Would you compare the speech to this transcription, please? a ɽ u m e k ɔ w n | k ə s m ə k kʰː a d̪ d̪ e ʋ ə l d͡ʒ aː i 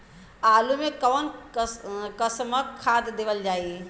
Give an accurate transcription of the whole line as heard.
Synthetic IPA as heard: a l u m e k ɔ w n | k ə s m ə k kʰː a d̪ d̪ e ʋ ə l d͡ʒ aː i